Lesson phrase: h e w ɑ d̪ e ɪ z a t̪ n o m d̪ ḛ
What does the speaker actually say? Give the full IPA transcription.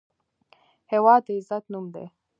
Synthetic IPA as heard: h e w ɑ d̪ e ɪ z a t̪ n u m d̪ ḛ